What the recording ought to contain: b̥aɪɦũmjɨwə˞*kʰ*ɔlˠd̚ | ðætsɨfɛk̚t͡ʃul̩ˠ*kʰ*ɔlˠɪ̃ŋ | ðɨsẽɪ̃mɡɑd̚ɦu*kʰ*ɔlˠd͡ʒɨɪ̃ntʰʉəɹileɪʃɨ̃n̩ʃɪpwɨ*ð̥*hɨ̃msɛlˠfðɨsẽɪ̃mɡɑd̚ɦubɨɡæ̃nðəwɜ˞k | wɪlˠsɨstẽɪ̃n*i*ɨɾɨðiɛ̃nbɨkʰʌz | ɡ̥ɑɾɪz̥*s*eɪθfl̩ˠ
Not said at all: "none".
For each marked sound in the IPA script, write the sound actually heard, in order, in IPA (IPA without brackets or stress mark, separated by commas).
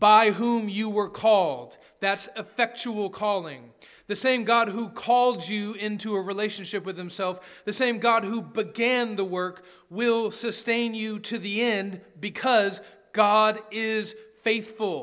kʰ, kʰ, kʰ, ð̥, j, f